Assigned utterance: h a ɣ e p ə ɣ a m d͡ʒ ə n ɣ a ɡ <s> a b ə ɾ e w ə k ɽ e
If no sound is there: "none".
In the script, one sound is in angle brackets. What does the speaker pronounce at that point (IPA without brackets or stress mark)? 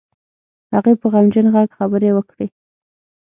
x